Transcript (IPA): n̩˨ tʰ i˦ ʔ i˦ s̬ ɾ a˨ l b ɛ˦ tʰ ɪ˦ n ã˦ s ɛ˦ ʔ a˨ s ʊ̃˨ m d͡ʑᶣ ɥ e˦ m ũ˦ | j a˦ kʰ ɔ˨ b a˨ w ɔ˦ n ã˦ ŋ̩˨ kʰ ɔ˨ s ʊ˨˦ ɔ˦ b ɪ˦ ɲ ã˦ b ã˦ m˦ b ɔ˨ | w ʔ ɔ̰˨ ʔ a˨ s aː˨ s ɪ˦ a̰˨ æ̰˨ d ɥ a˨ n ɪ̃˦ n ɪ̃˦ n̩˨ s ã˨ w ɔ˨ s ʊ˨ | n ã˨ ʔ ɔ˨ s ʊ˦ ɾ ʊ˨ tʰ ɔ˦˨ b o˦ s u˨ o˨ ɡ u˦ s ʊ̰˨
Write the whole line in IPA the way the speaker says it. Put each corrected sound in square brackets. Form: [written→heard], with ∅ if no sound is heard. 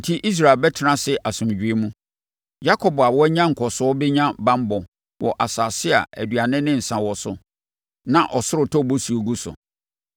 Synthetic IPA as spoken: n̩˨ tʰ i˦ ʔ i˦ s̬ ɾ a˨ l b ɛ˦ tʰ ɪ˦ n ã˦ s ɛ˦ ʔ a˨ s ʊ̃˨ m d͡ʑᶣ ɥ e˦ m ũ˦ | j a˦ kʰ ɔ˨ b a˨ w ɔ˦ [n→ɲ] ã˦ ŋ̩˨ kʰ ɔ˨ s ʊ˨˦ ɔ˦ b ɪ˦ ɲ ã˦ b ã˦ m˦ b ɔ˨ | w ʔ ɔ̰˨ ʔ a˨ s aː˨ s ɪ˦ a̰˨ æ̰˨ d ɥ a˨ n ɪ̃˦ n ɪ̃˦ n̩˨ s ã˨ w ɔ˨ s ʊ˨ | n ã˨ ʔ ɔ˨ s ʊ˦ ɾ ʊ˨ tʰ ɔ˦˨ b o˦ s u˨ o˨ ɡ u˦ s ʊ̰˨

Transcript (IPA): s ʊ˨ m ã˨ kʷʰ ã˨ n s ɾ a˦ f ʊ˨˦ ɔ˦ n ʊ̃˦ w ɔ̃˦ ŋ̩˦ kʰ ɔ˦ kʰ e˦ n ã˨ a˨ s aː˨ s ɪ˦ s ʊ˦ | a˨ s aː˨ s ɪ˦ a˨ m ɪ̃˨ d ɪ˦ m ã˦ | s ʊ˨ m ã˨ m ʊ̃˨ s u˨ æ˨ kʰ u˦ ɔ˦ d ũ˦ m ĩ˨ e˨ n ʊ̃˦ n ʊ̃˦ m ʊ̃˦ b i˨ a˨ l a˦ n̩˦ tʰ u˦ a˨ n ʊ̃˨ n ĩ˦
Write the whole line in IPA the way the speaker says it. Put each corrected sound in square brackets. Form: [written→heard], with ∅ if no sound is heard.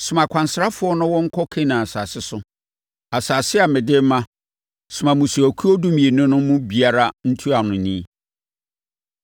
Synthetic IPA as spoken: s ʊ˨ m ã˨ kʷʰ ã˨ n s ɾ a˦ f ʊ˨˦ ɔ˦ n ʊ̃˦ w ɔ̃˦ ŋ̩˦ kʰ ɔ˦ kʰ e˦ n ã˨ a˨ s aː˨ s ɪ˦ s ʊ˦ | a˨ s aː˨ s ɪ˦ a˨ m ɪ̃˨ d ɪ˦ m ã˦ | s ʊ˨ m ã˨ m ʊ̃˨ s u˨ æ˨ kʰ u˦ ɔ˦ d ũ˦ m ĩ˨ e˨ n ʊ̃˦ n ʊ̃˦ m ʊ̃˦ b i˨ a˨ [l→ɾ] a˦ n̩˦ tʰ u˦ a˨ n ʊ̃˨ n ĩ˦

